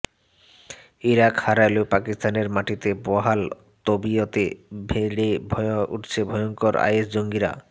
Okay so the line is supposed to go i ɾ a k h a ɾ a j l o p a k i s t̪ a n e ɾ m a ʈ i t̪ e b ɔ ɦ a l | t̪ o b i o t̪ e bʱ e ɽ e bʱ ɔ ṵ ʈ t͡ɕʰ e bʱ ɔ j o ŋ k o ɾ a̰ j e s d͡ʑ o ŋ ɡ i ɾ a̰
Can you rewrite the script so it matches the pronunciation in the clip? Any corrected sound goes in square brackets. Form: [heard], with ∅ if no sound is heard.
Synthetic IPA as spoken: i ɾ a k h a ɾ a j l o p a k i s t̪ a n e ɾ m a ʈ i t̪ e b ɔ ɦ a l | t̪ o b i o t̪ e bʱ e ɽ e bʱ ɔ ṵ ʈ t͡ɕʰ e bʱ ɔ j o ŋ k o ɾ a̰ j e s d͡ʑ o ŋ ɡ i ɾ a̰